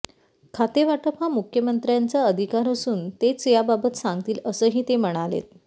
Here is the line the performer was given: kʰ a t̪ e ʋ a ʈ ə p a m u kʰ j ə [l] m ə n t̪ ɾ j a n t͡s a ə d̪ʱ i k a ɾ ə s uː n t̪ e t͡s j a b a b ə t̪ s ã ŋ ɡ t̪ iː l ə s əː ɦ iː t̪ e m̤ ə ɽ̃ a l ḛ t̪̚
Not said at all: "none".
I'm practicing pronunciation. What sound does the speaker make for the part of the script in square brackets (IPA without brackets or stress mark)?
none